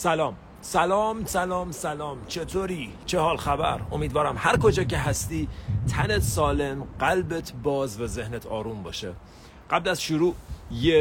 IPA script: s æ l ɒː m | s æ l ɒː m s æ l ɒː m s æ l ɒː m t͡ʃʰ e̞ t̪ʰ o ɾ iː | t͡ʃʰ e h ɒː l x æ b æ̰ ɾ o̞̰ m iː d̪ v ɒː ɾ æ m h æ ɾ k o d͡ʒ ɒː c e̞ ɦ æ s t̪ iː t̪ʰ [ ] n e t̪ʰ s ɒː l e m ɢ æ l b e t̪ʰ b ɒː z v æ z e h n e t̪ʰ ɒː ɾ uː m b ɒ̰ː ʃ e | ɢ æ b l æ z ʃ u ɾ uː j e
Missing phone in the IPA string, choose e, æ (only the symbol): æ